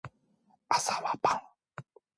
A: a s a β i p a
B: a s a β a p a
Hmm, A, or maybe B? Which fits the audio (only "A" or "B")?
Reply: B